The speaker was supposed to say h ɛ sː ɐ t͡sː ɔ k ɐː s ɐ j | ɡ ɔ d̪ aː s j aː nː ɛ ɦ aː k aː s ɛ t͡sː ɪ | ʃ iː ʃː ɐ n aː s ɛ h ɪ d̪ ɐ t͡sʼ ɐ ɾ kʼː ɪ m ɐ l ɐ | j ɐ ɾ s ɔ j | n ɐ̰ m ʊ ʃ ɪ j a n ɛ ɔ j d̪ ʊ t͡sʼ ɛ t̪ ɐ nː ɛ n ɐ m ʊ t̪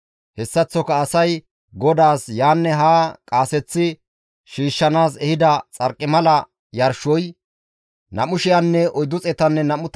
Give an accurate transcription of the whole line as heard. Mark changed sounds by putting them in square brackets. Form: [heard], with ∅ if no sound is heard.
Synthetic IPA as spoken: h ɛ sː ɐ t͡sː ɔ k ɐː s ɐ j | ɡ ɔ d̪ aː s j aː nː ɛ ɦ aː [kʼ] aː s ɛ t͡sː ɪ | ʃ iː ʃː ɐ n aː s ɛ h ɪ d̪ ɐ t͡sʼ ɐ ɾ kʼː ɪ m ɐ l ɐ | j ɐ ɾ [ʃ] ɔ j | n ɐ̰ m ʊ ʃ ɪ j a [nː] ɛ ɔ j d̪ ʊ t͡sʼ ɛ t̪ ɐ nː ɛ n ɐ m ʊ t̪

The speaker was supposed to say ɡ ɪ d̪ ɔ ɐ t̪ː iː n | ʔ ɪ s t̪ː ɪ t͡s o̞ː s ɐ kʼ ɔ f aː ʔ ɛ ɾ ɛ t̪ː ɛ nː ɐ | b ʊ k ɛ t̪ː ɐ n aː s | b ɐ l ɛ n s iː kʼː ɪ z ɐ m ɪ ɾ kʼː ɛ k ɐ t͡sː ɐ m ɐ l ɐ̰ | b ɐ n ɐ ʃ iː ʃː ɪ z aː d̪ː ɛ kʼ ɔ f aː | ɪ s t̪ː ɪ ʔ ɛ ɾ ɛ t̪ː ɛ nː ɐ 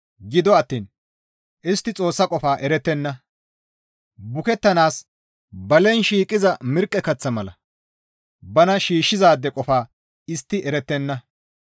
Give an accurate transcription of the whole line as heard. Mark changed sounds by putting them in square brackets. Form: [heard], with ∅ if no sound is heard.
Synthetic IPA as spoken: ɡ ɪ d̪ ɔ ɐ t̪ː iː n | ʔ ɪ s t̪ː ɪ [t͡sʼ] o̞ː [sː] ɐ kʼ ɔ f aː ʔ ɛ ɾ ɛ t̪ː ɛ nː ɐ | b ʊ k ɛ t̪ː ɐ n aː s | b ɐ l ɛ n [ʃ] iː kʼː ɪ z ɐ m ɪ ɾ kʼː ɛ k ɐ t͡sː ɐ m ɐ l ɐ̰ | b ɐ n ɐ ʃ iː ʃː ɪ z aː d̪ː ɛ kʼ ɔ f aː | ɪ s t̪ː ɪ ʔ ɛ ɾ ɛ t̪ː ɛ nː ɐ

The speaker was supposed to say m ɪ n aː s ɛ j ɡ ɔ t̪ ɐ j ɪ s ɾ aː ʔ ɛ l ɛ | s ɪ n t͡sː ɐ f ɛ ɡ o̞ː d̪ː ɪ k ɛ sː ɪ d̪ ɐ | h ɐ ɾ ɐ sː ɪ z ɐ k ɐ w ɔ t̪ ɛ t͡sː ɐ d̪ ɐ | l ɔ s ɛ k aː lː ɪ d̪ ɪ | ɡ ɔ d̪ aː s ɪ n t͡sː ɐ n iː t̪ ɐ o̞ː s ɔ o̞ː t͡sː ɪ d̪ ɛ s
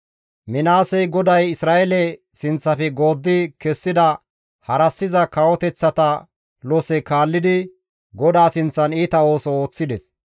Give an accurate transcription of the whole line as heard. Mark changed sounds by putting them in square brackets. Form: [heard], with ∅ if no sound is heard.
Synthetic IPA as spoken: m ɪ n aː s ɛ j ɡ ɔ [d̪] ɐ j ɪ s ɾ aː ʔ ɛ l ɛ | s ɪ n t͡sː ɐ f ɛ ɡ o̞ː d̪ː ɪ k ɛ sː ɪ d̪ ɐ | h ɐ ɾ ɐ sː ɪ z ɐ k ɐ w ɔ t̪ ɛ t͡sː ɐ [t̪] ɐ | l ɔ s ɛ k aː lː ɪ d̪ ɪ | ɡ ɔ d̪ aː s ɪ n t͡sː ɐ n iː t̪ ɐ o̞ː s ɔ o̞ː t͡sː ɪ d̪ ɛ s

